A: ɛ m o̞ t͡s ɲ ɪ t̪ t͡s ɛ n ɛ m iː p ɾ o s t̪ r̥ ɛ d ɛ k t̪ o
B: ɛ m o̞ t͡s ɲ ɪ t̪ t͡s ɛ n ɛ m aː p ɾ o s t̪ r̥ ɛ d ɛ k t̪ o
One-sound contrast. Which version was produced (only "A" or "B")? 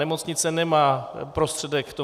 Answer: B